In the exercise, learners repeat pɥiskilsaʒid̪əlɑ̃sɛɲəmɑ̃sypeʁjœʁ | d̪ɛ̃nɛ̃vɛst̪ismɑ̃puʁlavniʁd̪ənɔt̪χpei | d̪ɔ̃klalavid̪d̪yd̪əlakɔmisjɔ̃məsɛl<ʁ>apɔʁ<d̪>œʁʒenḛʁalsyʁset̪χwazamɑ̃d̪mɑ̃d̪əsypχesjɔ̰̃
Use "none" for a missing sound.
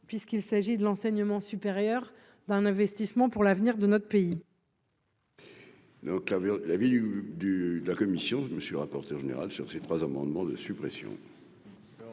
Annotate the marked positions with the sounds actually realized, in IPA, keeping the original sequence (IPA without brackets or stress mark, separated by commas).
ʁ, t̪